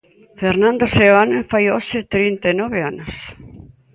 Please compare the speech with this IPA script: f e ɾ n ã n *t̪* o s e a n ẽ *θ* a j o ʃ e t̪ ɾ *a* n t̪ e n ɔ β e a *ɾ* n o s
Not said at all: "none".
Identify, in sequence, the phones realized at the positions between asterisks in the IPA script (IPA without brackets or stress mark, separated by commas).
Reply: d̪, f, i, none